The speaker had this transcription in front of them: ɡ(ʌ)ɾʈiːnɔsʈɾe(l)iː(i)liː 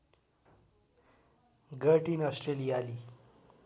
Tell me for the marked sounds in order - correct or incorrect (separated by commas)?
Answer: incorrect, correct, incorrect